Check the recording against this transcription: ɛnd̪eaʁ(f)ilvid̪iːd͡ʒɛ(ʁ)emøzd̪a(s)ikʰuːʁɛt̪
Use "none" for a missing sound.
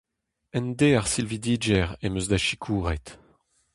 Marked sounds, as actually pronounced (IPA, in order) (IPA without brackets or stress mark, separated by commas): s, ʁ, ʃ